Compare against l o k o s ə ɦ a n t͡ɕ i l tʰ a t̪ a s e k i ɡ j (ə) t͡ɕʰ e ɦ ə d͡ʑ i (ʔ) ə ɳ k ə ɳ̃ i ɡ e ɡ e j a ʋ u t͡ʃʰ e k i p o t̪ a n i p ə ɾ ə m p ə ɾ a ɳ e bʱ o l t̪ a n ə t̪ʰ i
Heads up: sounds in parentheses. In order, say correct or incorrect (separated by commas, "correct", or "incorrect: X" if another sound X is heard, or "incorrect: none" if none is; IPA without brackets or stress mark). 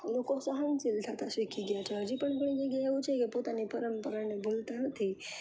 incorrect: a, incorrect: p